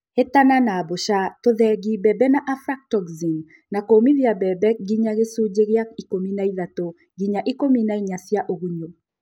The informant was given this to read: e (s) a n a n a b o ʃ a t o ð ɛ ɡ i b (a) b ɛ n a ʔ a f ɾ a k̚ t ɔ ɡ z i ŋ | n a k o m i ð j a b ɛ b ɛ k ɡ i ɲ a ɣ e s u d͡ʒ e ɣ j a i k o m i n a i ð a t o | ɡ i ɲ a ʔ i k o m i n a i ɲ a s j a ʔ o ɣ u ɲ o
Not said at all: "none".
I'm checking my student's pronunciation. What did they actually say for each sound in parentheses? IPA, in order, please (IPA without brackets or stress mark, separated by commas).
t, ɛ